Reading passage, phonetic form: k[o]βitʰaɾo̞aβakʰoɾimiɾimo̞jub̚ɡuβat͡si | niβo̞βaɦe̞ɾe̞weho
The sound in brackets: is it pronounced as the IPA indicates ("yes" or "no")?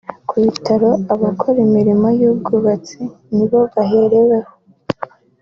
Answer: no